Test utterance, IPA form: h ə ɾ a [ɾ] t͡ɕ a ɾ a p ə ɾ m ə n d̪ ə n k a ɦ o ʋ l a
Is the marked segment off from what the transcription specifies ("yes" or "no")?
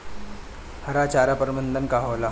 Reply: yes